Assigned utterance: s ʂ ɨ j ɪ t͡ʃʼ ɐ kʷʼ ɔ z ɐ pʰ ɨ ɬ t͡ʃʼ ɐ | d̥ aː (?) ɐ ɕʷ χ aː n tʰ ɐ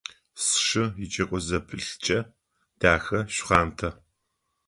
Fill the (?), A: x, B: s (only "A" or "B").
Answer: A